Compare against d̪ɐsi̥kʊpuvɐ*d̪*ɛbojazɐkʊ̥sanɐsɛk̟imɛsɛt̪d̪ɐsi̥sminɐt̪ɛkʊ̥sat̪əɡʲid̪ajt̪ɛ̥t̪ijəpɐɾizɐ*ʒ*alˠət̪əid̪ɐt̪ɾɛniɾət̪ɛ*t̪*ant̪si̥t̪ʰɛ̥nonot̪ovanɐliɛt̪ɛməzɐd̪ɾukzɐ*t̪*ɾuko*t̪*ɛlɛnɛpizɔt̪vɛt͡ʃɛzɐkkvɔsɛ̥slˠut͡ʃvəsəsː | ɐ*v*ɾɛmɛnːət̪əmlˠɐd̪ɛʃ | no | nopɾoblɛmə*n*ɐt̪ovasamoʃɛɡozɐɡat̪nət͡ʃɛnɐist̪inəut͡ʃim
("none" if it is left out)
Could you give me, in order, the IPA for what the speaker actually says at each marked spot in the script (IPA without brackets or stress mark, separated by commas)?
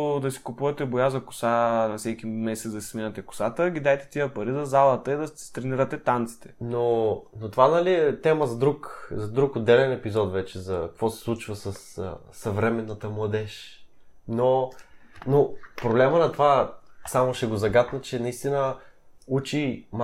t̪, z, t̪, d̪, d̪, v, n